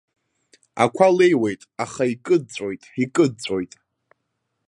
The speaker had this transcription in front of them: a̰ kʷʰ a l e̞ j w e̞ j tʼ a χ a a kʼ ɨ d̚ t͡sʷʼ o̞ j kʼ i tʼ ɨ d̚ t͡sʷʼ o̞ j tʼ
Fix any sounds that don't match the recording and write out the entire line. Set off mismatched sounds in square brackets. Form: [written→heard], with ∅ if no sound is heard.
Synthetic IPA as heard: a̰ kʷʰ a l e̞ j w e̞ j tʼ a χ a [a→i] kʼ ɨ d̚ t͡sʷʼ o̞ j [kʼ→tʼ] i [tʼ→kʼ] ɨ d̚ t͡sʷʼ o̞ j tʼ